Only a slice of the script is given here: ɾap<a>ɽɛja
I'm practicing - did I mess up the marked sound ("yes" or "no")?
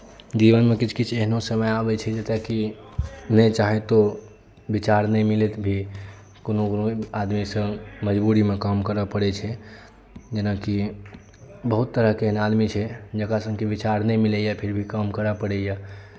yes